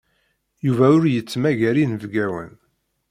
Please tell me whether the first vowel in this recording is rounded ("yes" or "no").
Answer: yes